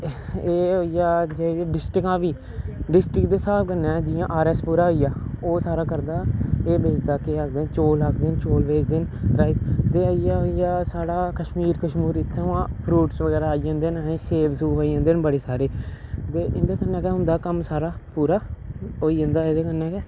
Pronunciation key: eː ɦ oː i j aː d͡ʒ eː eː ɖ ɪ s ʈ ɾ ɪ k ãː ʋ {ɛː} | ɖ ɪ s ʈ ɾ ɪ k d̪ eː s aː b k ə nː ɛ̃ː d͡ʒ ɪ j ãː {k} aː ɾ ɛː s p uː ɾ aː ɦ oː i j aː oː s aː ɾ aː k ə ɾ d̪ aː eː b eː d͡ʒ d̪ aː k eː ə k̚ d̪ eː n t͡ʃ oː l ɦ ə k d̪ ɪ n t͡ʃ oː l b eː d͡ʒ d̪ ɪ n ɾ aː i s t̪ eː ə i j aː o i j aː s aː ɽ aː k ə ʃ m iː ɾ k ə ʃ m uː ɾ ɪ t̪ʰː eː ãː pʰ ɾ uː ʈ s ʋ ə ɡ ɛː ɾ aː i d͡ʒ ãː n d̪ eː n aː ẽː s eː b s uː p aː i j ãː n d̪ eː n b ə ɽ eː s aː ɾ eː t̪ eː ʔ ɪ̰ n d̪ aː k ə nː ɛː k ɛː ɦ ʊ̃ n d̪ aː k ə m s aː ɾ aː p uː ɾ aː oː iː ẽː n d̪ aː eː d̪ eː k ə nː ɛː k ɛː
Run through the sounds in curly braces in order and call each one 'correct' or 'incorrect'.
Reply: incorrect: iː, incorrect: ʔ

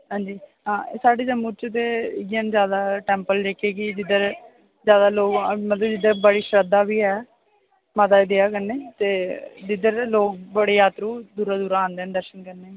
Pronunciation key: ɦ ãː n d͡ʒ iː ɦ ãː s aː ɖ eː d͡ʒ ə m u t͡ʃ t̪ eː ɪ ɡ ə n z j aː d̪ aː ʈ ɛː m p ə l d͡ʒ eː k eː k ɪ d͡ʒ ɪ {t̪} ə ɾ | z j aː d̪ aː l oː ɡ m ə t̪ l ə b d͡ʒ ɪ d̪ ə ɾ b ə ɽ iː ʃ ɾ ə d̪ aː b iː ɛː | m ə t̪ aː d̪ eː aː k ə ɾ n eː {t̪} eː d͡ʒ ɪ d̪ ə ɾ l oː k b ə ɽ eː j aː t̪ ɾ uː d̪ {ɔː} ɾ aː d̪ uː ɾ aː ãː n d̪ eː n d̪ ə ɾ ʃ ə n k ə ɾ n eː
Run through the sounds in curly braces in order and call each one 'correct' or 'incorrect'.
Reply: incorrect: d̪, correct, incorrect: uː

